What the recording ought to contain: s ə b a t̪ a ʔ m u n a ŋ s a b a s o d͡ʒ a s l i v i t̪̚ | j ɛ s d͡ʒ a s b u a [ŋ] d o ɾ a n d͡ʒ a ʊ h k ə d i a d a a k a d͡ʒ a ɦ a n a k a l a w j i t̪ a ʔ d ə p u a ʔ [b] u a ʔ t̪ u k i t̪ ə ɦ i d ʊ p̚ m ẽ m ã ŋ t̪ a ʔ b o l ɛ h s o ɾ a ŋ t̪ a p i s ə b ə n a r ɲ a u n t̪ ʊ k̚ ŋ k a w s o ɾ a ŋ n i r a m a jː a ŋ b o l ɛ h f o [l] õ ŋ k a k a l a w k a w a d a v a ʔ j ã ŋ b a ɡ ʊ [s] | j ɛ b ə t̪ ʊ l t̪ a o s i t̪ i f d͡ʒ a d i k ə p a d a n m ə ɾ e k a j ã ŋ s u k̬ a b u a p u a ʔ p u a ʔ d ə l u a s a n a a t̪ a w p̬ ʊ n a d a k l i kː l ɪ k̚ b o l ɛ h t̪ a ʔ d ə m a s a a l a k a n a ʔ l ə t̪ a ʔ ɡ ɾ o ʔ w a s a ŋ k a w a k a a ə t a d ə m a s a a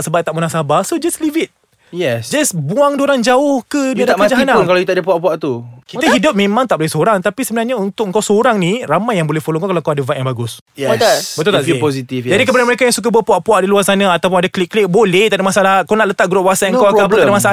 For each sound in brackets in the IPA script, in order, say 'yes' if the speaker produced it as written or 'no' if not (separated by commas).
yes, no, yes, yes